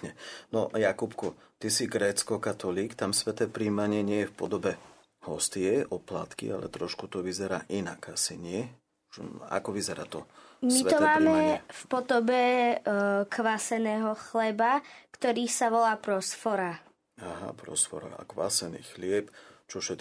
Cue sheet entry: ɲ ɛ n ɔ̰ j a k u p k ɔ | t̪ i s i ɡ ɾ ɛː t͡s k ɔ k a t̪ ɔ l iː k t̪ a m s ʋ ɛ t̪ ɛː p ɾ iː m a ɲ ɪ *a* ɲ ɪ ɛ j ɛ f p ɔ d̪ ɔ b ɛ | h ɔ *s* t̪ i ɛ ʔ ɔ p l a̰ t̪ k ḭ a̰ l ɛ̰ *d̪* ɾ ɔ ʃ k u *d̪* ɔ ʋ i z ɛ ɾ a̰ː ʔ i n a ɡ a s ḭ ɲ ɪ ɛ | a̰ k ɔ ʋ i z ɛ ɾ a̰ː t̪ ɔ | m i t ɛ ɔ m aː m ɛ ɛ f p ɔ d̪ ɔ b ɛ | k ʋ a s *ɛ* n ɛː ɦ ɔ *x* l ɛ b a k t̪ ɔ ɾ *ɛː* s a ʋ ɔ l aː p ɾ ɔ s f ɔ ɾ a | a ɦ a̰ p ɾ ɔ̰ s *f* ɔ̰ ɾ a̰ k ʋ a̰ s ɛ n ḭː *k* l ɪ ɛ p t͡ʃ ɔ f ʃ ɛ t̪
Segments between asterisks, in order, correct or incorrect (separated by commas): incorrect, correct, incorrect, incorrect, correct, correct, incorrect, correct, incorrect